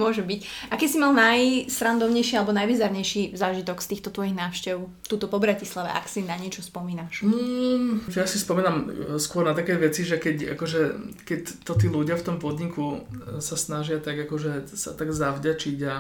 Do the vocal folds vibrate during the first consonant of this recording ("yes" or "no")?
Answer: yes